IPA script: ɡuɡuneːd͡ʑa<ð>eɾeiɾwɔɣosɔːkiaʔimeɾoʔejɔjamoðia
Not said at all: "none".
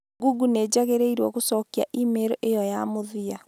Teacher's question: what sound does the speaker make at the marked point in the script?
ɣ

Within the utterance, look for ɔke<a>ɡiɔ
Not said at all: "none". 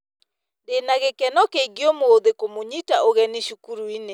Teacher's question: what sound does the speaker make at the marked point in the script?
i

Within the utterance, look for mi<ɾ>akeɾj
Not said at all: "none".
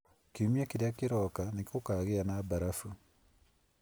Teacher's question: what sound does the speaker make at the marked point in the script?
none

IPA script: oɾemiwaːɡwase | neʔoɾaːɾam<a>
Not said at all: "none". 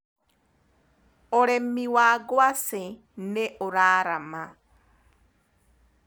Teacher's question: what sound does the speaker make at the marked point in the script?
a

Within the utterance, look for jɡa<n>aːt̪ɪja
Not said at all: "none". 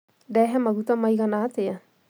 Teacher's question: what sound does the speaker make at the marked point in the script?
n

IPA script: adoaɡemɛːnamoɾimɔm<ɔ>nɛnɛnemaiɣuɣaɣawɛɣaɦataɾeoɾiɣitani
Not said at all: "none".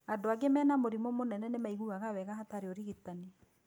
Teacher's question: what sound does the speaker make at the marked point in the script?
o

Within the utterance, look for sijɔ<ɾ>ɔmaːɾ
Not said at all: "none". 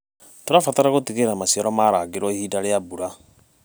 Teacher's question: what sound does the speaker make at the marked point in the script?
ɾ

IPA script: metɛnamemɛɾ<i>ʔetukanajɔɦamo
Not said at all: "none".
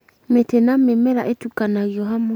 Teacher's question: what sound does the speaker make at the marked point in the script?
a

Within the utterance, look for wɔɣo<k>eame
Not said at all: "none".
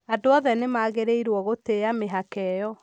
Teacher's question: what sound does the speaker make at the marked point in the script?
t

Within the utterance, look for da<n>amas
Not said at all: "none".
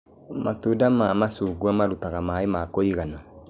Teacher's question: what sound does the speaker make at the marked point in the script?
m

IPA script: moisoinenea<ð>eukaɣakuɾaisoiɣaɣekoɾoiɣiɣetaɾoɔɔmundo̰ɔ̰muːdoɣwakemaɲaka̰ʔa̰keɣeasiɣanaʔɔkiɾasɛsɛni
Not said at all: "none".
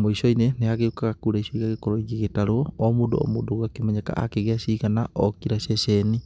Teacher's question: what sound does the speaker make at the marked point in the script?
ɣ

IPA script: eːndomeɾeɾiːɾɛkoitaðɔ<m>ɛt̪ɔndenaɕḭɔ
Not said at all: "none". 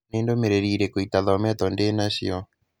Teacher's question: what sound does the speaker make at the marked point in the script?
m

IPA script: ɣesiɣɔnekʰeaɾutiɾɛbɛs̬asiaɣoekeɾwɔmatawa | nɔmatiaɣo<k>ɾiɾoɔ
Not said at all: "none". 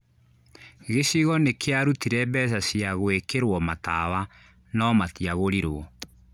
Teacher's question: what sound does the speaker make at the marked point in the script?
none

